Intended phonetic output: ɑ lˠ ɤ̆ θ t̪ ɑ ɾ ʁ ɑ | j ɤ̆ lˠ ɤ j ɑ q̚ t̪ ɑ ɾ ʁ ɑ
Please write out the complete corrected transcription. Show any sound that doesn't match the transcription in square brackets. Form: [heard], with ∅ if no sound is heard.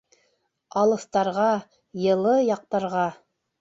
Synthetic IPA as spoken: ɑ lˠ ɤ̆ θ t̪ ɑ ɾ ʁ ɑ | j ɤ̆ lˠ ɤ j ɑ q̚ t̪ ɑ ɾ ʁ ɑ